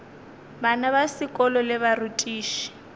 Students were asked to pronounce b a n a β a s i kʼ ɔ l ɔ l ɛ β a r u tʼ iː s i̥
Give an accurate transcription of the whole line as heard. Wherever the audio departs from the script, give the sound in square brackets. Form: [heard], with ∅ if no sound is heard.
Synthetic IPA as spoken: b a n a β a s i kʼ ɔ l ɔ l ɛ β a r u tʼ iː [ʃ] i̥